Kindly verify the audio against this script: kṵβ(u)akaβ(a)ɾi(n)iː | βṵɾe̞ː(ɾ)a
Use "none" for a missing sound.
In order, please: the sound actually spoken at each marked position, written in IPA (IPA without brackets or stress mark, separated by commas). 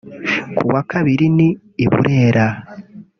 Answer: w, i, n, ɾ